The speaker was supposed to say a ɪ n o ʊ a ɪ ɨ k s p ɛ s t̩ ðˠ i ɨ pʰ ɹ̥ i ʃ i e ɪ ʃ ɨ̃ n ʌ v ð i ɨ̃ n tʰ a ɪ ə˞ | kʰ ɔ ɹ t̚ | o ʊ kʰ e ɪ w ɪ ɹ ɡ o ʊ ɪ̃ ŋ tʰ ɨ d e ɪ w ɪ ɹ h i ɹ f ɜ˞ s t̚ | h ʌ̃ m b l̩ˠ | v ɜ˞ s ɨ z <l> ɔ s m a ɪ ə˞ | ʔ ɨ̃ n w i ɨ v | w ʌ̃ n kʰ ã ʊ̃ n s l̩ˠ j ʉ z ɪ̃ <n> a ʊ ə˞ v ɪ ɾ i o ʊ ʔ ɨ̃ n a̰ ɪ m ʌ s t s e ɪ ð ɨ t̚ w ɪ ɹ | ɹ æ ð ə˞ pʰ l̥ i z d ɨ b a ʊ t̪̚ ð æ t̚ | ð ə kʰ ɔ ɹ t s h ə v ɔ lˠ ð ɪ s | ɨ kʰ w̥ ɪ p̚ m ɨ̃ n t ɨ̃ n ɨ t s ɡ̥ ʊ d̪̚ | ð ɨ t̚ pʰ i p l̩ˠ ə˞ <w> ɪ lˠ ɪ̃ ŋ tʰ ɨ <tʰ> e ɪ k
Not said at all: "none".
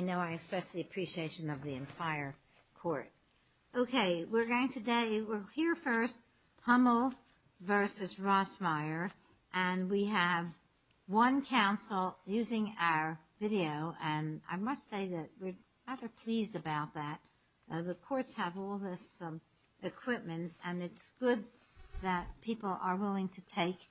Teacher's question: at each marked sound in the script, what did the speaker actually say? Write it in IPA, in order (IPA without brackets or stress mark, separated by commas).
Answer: ɹ, ŋ, w, tʰ